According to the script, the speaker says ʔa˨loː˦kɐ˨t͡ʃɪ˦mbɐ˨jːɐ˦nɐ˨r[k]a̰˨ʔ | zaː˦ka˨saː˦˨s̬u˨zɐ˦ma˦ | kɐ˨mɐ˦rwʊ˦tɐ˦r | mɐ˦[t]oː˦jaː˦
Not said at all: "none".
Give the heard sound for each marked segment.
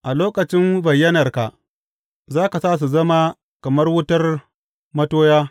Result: k, t

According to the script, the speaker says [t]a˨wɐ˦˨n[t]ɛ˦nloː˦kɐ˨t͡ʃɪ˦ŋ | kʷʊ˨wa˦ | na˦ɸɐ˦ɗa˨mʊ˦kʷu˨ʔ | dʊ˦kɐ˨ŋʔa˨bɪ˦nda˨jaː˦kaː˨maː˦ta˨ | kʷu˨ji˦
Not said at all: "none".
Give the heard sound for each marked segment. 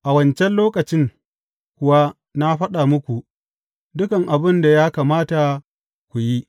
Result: ʔ, t͡ʃ

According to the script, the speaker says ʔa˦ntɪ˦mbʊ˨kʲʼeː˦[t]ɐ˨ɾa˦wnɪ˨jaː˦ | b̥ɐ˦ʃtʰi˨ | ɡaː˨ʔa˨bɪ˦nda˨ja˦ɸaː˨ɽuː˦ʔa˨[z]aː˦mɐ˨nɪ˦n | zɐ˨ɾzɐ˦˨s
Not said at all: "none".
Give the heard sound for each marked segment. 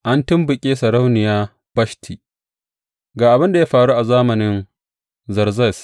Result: s, z

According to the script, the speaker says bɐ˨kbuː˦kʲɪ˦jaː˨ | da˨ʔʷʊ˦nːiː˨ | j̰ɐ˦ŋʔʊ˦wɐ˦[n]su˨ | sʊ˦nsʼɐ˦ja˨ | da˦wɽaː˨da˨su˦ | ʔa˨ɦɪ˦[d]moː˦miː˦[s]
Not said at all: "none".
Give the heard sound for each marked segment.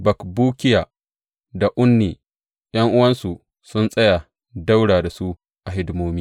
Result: n, d, none

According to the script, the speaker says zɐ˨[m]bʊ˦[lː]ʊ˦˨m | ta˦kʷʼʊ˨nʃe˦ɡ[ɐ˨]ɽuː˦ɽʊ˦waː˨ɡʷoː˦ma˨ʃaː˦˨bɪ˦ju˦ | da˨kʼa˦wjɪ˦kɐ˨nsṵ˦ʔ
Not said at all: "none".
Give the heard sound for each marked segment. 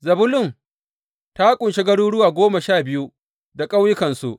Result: none, l, ɐ˦

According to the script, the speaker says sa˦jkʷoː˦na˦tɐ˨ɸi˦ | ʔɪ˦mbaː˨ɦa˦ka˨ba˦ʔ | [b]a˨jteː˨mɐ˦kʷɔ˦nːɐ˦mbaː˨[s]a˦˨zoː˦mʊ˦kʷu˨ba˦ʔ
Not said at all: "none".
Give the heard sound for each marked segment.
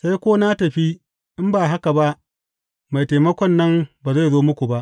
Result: m, z

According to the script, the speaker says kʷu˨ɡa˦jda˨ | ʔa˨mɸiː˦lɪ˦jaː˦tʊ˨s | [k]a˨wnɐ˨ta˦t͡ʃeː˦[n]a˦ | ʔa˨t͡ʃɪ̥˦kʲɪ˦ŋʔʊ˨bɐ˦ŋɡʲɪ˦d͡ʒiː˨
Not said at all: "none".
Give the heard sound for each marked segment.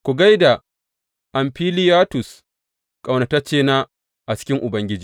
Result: kʼ, n

